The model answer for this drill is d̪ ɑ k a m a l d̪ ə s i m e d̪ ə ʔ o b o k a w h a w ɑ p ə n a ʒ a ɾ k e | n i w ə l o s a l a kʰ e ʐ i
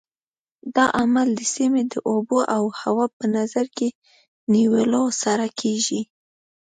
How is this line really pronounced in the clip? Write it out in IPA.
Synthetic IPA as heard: d̪ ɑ ʔ a m a l d̪ ə s i m e d̪ ə ʔ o b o ʔ a w h a w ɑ p ə n a z a ɾ k e | n i w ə l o s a ɾ a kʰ e ʒ i